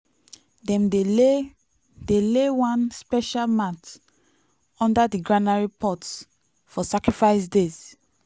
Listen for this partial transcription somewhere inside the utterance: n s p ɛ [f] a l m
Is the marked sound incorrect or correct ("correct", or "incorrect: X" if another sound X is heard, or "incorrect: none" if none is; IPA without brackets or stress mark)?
incorrect: ʃ